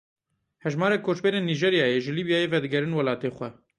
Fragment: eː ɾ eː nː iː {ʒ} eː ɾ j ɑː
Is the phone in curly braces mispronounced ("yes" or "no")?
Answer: no